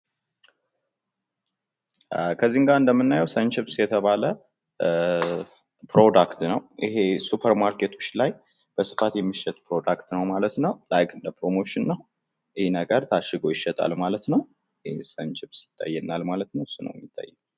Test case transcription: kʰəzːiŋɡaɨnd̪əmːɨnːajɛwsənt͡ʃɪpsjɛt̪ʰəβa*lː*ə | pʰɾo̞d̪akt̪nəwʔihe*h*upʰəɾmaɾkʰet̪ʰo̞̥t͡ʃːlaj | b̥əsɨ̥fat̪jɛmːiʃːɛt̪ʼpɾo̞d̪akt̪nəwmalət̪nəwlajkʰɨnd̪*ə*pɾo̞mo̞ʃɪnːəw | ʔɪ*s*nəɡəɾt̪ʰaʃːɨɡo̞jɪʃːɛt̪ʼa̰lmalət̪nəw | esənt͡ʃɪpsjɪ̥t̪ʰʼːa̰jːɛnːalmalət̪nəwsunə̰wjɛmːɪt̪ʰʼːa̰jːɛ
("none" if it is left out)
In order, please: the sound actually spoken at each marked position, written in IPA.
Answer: l, s, ə, h

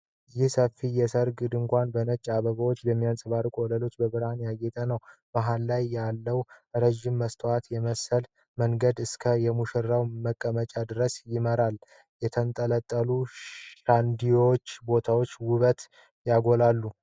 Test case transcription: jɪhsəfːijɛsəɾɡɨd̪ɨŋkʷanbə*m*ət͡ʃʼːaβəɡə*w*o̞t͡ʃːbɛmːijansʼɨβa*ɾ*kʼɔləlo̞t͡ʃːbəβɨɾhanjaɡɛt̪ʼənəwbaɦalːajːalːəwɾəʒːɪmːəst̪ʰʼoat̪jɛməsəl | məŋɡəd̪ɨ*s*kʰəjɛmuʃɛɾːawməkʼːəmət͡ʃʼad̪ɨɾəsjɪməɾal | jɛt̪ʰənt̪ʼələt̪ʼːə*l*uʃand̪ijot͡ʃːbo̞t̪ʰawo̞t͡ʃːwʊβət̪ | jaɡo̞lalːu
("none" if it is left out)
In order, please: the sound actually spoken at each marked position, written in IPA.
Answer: n, w, ɾ, s, l

